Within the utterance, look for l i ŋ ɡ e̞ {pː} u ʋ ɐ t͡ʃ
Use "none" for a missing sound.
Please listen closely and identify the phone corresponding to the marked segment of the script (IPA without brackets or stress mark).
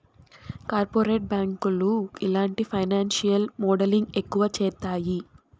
kː